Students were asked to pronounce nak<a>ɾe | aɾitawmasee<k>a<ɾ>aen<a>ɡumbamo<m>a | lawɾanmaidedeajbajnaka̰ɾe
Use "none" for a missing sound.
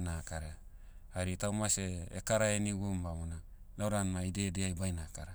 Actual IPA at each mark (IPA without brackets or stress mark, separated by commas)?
a, k, ɾ, i, n